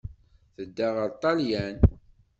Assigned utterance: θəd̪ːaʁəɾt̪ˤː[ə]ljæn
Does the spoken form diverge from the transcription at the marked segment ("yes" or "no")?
yes